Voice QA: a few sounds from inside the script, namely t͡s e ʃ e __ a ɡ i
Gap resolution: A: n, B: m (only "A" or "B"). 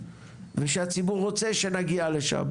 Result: A